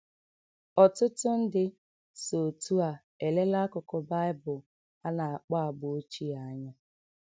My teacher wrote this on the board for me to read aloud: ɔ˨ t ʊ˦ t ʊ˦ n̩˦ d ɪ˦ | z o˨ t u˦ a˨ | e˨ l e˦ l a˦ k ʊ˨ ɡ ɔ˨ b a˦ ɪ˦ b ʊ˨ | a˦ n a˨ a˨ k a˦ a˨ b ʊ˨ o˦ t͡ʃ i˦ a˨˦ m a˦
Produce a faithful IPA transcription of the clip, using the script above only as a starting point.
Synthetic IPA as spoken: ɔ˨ t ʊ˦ t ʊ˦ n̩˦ d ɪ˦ | s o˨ t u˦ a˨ | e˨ l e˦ l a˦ k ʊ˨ k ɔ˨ b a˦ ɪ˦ b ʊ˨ | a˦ n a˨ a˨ k͡p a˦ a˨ b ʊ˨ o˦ t͡ʃ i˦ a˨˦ ɲ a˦